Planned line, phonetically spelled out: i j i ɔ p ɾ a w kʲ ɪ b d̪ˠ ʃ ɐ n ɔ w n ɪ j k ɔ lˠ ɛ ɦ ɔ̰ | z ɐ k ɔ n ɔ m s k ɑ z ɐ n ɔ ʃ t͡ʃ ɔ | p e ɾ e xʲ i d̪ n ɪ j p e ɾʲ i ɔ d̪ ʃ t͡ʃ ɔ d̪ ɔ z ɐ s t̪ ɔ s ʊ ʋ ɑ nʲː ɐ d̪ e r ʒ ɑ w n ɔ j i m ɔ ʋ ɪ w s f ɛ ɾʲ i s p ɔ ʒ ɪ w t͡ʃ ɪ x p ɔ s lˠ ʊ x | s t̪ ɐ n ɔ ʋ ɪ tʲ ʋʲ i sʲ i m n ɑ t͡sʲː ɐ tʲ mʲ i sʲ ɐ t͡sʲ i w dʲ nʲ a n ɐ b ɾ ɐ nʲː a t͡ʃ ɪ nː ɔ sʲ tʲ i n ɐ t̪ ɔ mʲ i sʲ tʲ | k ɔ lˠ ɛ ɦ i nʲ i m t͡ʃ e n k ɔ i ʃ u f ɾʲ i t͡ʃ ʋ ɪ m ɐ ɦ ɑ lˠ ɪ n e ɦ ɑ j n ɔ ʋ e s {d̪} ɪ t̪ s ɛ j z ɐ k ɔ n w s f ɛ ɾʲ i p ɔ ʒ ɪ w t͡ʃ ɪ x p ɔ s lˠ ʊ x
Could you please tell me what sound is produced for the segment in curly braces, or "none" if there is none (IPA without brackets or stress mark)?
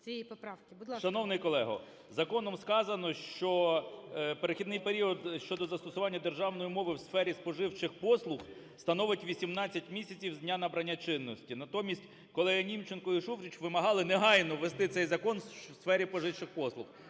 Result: t̪